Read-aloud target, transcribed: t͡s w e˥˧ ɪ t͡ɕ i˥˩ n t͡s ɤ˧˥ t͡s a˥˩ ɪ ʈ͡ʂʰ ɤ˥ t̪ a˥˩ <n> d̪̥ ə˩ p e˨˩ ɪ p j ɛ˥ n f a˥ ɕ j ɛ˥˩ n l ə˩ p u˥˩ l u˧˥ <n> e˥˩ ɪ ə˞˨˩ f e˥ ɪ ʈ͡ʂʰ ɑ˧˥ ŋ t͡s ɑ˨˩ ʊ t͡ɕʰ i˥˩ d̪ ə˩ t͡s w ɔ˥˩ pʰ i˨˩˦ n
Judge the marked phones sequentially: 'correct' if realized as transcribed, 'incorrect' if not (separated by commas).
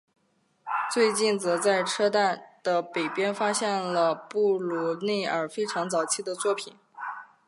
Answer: correct, correct